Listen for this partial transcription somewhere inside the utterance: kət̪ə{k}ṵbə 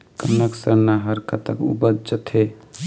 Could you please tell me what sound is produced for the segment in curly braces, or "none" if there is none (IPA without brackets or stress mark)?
k